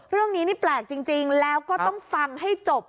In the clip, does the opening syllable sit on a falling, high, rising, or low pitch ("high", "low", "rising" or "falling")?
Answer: falling